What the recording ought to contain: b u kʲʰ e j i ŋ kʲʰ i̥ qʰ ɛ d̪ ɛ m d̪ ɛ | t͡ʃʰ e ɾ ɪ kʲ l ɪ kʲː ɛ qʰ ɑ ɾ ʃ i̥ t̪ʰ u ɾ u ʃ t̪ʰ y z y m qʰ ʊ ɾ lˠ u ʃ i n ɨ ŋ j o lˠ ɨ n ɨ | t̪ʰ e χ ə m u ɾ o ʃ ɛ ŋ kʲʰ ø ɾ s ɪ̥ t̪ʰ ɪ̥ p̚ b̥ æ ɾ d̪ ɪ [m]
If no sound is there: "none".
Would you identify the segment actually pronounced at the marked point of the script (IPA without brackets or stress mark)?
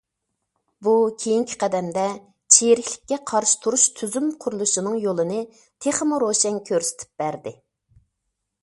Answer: none